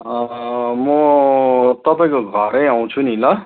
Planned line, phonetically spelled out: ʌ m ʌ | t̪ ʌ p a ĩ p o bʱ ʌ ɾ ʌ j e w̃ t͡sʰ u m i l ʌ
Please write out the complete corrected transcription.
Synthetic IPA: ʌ m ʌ | t̪ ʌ p a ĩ k o ɡʱ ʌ ɾ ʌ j a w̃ t͡sʰ u n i l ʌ